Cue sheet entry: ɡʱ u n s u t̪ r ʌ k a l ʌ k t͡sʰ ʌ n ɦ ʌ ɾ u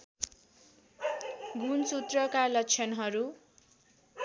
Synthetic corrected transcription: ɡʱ u n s u t̪ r ʌ k a l ʌ k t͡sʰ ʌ n ɦ ʌ ɾ u